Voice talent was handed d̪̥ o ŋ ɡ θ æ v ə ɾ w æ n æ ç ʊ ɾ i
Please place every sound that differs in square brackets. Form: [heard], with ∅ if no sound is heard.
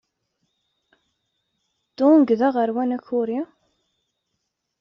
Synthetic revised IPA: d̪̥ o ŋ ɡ [ð] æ [ʁ] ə ɾ w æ n æ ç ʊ ɾ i